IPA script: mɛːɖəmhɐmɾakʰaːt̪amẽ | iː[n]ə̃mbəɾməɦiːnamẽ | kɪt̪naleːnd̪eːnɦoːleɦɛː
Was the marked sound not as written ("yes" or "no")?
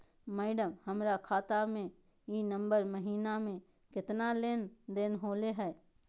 no